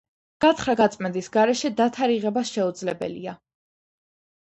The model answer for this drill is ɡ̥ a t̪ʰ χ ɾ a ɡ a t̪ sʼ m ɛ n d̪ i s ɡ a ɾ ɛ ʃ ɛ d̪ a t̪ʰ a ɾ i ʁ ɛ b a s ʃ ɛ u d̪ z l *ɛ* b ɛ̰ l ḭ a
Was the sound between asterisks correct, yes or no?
yes